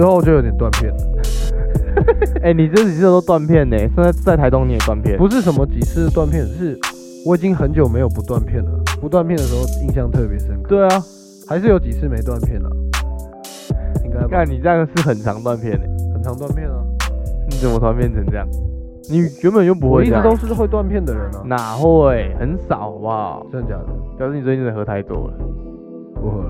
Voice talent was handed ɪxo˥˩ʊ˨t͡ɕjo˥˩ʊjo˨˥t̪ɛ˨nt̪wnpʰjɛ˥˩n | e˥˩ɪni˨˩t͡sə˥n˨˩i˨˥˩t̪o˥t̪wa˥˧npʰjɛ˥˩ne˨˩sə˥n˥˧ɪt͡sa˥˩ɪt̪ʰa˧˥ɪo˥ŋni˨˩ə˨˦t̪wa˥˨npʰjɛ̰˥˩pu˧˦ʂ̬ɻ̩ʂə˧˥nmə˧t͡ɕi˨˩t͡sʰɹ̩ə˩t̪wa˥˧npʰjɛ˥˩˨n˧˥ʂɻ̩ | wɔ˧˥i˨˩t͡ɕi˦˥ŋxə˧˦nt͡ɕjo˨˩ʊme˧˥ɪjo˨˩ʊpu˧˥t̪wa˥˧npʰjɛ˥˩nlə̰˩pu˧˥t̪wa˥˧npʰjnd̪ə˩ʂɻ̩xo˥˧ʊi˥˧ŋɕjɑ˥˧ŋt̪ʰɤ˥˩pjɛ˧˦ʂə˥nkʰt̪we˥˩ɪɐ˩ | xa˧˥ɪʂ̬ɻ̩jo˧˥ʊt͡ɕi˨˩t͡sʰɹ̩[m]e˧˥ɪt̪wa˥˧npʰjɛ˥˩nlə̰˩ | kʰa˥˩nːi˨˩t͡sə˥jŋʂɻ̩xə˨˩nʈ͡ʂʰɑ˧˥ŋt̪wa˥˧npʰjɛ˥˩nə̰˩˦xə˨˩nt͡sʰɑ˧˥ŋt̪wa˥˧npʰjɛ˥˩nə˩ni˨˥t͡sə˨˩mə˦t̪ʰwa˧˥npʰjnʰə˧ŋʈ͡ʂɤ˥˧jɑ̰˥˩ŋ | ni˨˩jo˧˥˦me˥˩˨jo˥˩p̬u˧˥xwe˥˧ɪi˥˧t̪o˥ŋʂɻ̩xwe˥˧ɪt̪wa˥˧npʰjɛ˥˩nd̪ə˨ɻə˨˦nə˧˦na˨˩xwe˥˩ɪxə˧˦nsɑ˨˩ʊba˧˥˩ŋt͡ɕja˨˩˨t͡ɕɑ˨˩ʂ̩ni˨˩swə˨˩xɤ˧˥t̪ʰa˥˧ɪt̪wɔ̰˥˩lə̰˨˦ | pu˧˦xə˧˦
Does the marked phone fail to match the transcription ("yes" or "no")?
no